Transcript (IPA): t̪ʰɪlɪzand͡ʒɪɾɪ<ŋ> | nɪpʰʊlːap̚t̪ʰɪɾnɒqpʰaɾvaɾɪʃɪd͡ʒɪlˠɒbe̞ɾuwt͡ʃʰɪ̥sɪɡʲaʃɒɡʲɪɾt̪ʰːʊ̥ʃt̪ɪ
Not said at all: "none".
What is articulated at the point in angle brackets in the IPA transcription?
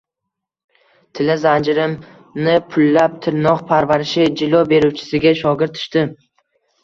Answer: m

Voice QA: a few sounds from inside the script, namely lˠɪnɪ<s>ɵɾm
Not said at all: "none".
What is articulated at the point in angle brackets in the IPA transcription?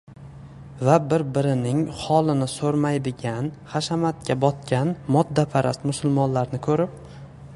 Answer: s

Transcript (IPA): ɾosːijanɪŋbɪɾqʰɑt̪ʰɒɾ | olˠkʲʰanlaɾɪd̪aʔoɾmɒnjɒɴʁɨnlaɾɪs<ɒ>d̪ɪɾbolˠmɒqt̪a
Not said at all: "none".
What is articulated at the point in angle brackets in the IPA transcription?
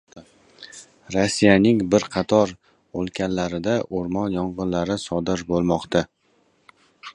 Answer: ɒ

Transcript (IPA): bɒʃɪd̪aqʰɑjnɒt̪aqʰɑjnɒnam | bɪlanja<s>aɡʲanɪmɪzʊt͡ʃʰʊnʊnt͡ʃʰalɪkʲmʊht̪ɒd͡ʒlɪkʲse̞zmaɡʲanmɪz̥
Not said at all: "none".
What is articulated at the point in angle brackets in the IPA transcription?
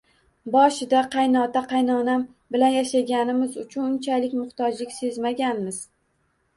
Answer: ʃ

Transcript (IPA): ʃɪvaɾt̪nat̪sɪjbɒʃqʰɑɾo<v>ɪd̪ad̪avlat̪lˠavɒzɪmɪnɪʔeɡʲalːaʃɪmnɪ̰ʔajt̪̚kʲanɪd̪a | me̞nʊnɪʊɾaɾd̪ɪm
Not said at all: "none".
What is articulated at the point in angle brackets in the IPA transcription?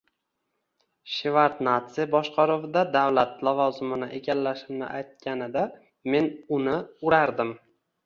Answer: v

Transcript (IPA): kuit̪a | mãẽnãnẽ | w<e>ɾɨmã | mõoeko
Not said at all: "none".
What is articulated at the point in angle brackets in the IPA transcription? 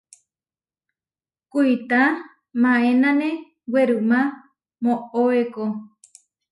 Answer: e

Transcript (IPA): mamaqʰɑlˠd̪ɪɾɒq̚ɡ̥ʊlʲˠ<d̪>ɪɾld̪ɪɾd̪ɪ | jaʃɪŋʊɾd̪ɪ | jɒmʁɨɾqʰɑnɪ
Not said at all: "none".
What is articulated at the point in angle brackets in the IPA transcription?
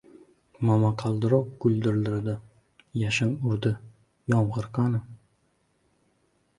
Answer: d̪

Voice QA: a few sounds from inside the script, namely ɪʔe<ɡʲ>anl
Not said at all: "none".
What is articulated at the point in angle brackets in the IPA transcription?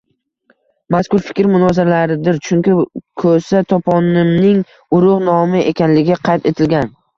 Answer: kʲ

